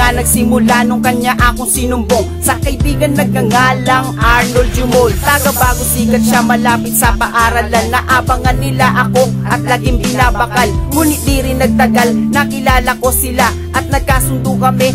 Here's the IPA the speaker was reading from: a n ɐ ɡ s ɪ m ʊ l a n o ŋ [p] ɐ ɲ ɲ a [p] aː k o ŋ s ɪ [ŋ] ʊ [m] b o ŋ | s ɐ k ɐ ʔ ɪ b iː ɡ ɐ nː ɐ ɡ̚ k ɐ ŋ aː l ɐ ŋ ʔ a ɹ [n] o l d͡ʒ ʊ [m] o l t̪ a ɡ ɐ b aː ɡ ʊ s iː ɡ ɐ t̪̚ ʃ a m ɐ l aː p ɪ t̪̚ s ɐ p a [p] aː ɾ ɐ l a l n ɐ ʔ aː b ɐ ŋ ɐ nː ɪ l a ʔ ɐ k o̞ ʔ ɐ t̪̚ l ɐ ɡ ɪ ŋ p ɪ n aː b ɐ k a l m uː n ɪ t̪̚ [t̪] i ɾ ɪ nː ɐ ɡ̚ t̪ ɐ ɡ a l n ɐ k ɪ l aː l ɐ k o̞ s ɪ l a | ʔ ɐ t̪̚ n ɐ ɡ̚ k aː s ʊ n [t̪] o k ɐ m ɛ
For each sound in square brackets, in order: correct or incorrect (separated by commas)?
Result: incorrect, incorrect, incorrect, correct, correct, correct, incorrect, incorrect, incorrect